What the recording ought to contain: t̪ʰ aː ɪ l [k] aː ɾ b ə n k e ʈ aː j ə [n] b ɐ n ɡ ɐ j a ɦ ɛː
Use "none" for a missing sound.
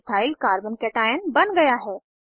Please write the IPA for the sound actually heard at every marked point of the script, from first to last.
k, n

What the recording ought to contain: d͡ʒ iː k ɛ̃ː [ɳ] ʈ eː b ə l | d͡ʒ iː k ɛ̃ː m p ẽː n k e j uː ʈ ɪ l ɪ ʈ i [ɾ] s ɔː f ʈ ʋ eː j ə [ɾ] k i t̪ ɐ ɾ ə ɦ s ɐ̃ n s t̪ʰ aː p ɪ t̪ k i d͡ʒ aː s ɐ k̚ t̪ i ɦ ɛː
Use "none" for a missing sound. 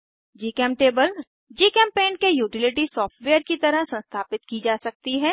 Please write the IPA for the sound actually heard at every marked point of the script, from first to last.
m, none, ɾ

